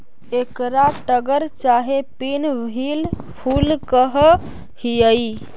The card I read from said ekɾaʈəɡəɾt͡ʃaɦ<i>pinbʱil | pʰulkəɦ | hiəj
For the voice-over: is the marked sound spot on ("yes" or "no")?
no